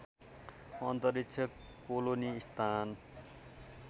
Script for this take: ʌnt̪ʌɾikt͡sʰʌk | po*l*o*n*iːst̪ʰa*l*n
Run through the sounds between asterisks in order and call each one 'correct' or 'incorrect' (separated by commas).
correct, correct, incorrect